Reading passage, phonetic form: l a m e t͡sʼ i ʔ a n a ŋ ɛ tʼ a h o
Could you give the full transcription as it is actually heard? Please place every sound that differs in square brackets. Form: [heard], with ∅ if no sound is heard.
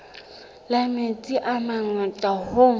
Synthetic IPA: l a m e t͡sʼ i ʔ a [m] a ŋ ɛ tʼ a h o